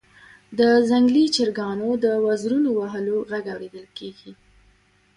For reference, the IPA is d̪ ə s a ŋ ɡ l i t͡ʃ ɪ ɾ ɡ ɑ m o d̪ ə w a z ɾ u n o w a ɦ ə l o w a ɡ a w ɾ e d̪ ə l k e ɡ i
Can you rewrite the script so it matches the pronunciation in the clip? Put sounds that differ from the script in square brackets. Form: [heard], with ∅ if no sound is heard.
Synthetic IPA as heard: d̪ ə [z] a ŋ ɡ l i t͡ʃ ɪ ɾ ɡ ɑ [n] o d̪ ə w a z ɾ u n o w a ɦ ə l o [ɣ] a ɡ a w ɾ e d̪ ə l k e ɡ i